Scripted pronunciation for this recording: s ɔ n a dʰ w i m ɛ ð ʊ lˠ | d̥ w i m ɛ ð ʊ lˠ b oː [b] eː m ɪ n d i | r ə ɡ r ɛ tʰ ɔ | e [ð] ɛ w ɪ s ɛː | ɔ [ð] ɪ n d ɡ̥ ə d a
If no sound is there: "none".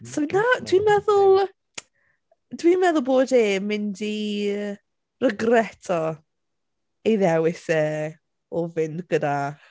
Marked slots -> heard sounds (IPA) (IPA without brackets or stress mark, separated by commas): d, ð, v